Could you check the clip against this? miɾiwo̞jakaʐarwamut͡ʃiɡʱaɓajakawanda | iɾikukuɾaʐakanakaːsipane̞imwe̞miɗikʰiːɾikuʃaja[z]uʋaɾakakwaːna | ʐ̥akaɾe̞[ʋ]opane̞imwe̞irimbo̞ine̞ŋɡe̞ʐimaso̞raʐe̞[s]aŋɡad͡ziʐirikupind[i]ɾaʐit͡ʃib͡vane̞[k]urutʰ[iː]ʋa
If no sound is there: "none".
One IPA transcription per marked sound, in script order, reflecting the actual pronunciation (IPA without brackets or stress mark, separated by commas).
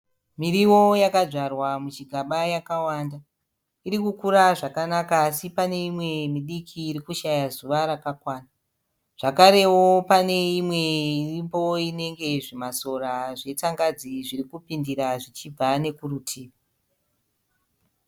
z, w, t͡s, i, k, iː